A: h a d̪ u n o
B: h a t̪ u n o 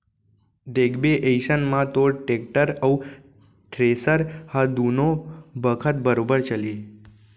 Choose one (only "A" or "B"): A